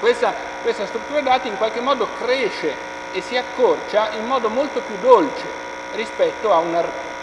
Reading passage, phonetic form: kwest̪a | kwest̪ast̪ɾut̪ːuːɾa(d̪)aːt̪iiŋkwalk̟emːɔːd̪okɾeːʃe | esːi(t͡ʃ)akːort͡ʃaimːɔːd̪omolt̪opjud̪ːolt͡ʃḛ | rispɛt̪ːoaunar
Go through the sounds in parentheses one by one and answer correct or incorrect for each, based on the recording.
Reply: correct, incorrect: none

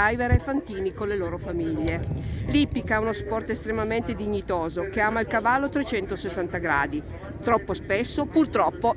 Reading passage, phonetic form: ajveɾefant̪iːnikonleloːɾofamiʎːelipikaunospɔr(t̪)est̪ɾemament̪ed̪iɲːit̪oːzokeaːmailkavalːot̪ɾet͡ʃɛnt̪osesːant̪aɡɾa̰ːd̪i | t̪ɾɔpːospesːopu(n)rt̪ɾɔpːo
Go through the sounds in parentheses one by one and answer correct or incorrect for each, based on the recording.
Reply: correct, incorrect: none

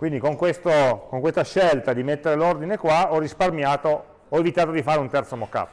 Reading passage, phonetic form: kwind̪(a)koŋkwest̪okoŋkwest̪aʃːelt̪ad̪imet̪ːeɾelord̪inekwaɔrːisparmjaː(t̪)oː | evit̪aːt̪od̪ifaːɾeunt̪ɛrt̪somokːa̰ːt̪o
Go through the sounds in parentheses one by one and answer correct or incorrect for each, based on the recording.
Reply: incorrect: i, correct

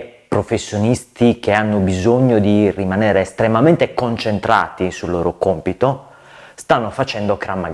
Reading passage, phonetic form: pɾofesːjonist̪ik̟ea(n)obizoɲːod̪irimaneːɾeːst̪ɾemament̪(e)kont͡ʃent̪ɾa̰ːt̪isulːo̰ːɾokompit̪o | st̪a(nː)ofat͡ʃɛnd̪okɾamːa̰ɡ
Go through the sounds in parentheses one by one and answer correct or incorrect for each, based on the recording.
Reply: incorrect: nː, correct, correct

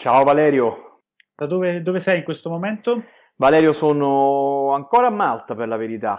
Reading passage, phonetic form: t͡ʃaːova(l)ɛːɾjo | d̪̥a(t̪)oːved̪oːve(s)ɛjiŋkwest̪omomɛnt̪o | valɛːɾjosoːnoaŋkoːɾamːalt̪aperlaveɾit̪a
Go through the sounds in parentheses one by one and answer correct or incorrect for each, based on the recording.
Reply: correct, incorrect: d̪, correct

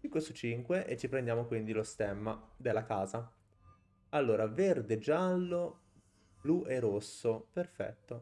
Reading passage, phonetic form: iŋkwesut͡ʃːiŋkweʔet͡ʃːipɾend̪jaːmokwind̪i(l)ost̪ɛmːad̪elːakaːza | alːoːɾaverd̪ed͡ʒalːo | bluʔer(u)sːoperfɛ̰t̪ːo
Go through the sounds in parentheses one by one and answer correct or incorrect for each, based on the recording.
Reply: correct, incorrect: o

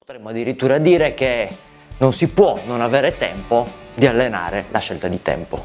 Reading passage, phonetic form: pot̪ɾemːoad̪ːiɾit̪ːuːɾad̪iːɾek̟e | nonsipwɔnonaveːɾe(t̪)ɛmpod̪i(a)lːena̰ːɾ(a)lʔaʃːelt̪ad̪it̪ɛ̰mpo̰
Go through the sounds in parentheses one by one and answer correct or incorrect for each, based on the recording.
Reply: correct, correct, incorrect: e

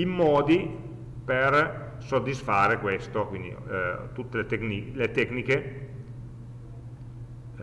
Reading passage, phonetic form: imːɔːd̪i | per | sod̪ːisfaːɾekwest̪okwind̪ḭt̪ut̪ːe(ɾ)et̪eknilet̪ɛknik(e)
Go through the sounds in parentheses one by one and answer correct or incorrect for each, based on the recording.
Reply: incorrect: l, correct

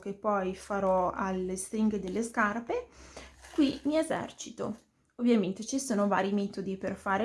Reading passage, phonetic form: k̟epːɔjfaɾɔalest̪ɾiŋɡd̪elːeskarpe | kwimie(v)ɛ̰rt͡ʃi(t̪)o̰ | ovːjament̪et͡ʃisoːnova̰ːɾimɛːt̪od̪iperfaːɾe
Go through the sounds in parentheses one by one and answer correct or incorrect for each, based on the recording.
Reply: incorrect: z, correct

